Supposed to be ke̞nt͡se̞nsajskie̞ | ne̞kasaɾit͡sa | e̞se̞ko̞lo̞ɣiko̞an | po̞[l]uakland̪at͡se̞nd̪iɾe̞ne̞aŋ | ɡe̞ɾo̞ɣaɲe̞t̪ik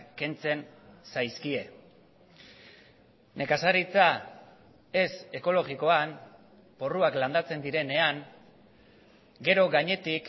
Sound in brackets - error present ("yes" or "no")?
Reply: yes